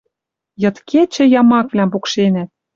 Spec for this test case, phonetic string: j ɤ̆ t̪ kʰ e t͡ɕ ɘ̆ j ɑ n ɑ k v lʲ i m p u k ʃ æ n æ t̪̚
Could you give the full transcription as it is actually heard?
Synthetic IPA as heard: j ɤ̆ t̪ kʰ e t͡ɕ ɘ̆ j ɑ m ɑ k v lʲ æ m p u k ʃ e n æ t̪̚